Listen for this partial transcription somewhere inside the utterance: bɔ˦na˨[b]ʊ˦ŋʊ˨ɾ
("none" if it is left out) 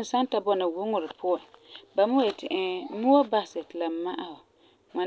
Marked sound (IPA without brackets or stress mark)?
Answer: w